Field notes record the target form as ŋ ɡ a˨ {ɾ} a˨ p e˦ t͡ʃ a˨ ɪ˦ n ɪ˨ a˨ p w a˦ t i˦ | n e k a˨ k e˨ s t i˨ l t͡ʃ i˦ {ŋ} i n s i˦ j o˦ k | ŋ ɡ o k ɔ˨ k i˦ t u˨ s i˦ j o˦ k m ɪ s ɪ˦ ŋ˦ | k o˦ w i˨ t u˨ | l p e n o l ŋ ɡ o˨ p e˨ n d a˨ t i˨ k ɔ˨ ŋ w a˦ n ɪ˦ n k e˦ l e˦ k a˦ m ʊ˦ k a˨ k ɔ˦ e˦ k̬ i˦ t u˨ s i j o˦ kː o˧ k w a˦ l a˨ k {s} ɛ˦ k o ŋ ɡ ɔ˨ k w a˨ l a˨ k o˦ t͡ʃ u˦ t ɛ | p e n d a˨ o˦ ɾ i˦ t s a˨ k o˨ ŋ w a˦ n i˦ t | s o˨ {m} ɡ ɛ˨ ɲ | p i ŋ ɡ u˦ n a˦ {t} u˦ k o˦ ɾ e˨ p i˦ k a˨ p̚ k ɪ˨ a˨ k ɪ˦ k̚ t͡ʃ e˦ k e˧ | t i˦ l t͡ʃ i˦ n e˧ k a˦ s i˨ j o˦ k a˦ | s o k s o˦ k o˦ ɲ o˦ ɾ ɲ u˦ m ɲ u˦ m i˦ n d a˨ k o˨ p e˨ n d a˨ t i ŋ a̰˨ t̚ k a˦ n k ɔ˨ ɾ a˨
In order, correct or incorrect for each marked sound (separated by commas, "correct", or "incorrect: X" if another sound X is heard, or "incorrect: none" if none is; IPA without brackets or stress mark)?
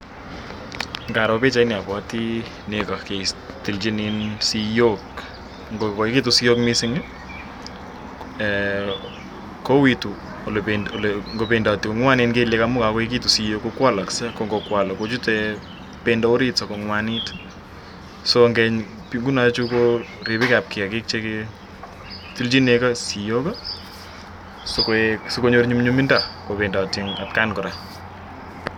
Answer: correct, incorrect: n, correct, incorrect: ŋ, incorrect: t͡ʃ